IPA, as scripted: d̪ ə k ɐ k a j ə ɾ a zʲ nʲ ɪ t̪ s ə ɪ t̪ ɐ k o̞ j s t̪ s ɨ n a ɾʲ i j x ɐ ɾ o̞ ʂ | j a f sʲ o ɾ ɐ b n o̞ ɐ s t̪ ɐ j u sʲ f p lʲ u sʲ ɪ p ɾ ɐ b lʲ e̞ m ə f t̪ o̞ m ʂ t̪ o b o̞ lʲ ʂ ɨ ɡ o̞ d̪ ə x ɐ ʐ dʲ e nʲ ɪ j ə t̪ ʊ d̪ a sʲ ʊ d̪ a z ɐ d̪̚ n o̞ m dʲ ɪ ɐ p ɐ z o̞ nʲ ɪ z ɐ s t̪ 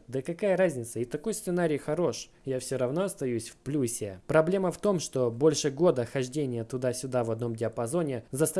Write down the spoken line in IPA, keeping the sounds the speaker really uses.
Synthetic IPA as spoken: d̪ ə k ɐ k a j ə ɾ a zʲ nʲ ɪ t̪ s ə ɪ t̪ ɐ k o̞ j s t̪ s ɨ n a ɾʲ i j x ɐ ɾ o̞ ʂ | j a f sʲ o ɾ ɐ v n o̞ ɐ s t̪ ɐ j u sʲ f p lʲ u sʲ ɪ p ɾ ɐ b lʲ e̞ m ə f t̪ o̞ m ʂ t̪ o b o̞ lʲ ʂ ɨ ɡ o̞ d̪ ə x ɐ ʐ dʲ e nʲ ɪ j ə t̪ ʊ d̪ a sʲ ʊ d̪ a v ɐ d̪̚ n o̞ m dʲ ɪ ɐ p ɐ z o̞ nʲ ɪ z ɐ s t̪